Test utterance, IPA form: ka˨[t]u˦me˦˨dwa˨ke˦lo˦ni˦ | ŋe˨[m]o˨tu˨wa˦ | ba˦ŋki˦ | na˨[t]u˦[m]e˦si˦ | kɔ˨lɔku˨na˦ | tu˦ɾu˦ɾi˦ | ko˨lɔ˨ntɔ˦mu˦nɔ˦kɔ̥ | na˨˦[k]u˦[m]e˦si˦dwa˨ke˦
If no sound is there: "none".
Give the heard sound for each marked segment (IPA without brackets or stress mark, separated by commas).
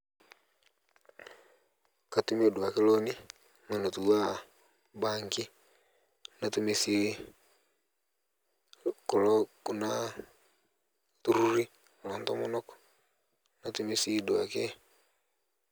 t, n, t, m, t, m